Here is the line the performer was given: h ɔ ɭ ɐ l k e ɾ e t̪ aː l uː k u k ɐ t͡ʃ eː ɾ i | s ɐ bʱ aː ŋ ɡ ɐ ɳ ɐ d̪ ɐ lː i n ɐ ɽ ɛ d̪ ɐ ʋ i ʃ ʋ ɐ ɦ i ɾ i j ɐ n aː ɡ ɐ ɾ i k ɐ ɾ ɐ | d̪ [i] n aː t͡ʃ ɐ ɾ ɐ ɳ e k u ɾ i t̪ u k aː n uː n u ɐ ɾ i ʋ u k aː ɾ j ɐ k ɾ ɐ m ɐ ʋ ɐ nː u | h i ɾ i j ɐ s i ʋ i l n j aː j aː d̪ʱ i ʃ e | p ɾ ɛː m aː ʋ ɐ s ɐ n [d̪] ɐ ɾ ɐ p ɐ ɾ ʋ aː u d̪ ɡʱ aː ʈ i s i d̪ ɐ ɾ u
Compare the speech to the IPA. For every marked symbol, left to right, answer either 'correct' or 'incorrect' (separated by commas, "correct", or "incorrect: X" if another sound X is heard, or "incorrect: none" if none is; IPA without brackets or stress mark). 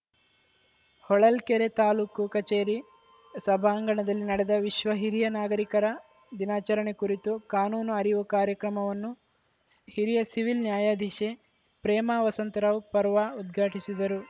correct, incorrect: t̪